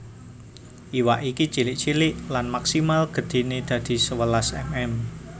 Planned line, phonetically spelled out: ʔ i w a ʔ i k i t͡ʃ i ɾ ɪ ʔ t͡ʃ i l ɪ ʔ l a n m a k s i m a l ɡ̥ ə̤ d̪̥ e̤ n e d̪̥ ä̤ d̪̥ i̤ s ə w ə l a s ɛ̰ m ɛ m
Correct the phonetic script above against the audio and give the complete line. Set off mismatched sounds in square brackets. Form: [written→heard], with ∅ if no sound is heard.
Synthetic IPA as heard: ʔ i w a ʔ i k i t͡ʃ i [ɾ→l] ɪ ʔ t͡ʃ i l ɪ ʔ l a n m a k s i m a l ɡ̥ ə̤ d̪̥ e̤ n e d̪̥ ä̤ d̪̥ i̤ s ə w ə l a s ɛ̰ m ɛ m

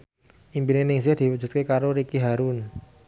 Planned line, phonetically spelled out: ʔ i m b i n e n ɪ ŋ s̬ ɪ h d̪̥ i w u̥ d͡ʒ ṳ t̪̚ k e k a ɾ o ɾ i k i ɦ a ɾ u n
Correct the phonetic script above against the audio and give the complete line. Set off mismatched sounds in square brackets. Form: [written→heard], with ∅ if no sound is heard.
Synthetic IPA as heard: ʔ i m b i n e n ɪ ŋ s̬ ɪ h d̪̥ i w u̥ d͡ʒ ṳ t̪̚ k e k a ɾ o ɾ i k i ɦ a ɾ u n

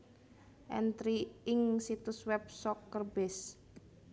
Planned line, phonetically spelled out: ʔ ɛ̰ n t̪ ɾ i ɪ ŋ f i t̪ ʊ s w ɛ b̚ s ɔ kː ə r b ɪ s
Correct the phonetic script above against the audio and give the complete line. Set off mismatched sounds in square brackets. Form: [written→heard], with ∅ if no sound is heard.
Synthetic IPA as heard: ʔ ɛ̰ n t̪ ɾ i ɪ ŋ [f→s] i t̪ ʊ s w ɛ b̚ s ɔ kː ə r b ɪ s

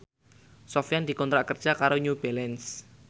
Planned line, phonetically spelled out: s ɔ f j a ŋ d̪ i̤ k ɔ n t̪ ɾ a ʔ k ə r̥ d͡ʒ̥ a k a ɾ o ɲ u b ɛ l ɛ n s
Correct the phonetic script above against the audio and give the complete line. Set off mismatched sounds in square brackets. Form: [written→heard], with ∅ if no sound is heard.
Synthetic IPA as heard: s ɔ f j a [ŋ→n] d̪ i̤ k ɔ n t̪ ɾ a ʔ k ə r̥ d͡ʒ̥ a k a ɾ o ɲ u b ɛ l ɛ n s

